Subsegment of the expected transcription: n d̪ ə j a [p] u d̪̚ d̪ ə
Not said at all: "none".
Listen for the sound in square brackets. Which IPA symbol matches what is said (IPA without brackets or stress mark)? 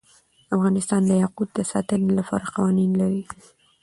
q